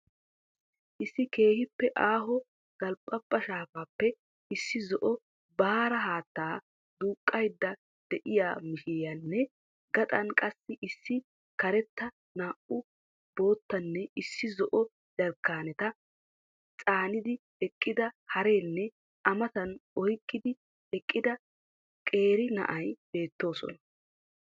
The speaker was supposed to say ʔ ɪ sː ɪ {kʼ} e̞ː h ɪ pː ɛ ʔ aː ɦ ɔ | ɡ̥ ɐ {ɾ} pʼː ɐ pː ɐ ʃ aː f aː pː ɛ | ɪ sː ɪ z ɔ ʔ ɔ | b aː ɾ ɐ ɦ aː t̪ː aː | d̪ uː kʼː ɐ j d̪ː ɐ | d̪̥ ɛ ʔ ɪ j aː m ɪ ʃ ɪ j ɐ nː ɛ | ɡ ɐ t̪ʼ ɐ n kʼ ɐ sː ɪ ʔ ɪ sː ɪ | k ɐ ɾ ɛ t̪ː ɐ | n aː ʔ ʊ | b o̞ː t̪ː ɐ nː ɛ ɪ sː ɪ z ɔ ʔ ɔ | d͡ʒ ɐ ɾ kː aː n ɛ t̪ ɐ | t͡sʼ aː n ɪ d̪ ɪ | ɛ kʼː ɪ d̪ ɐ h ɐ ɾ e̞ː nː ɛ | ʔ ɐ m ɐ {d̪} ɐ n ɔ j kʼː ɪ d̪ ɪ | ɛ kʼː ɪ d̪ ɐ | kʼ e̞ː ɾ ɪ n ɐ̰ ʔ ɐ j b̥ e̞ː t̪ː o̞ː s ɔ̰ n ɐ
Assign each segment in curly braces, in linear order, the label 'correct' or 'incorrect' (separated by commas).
incorrect, incorrect, incorrect